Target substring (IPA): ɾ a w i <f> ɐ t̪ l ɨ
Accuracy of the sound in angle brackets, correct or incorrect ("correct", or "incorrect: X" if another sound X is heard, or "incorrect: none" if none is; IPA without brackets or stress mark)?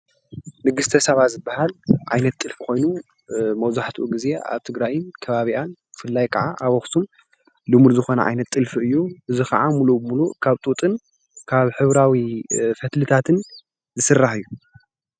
correct